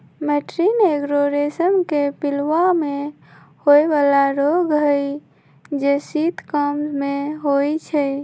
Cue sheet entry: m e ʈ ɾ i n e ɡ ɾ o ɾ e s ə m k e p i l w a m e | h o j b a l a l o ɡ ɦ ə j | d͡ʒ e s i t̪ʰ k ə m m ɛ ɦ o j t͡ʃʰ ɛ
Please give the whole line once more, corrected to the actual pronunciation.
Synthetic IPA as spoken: m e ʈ ɾ i n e ɡ ɾ o ɾ e s ə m k e p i l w a m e | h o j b a l a ɾ o ɡ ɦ ə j | d͡ʒ e s i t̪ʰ k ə m m e ɦ o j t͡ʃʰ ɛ